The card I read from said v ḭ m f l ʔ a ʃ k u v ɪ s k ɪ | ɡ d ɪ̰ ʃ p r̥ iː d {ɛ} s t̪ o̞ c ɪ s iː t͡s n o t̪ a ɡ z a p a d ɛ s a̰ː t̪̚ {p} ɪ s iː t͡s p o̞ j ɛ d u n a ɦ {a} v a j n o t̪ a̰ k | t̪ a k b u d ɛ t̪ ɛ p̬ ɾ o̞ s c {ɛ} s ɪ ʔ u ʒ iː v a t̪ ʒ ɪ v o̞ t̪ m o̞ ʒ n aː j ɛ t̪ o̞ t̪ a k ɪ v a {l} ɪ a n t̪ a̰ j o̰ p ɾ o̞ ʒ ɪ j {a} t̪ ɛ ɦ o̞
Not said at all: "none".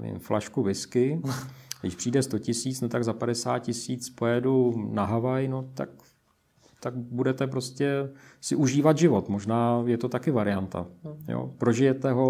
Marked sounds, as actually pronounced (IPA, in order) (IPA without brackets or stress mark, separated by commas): ɛ, c, a, ɛ, ɾ, ɛ